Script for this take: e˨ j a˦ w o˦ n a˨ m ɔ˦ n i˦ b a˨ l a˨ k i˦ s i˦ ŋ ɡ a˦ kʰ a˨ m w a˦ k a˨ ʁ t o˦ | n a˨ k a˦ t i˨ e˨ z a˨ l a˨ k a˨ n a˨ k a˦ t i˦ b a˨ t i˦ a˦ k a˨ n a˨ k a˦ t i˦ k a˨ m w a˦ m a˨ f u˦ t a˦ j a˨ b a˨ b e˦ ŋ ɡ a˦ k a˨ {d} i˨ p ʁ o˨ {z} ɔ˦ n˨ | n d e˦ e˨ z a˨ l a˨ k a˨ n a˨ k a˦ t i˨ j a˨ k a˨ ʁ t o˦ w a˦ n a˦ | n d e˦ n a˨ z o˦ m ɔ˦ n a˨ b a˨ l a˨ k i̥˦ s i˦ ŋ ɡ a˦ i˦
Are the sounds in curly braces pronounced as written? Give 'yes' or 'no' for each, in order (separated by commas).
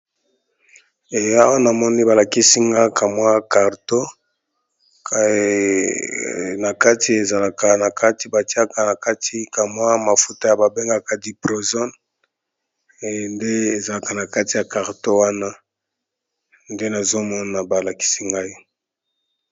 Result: yes, yes